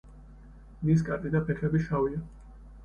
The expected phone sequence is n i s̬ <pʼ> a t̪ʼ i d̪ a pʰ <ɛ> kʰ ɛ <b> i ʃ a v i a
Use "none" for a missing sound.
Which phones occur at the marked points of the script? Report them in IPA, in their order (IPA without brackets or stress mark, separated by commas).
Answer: kʼ, ɛ, b